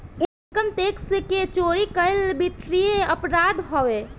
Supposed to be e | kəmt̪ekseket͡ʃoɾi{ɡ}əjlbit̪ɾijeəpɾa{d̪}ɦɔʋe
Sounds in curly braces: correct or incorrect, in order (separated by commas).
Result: incorrect, correct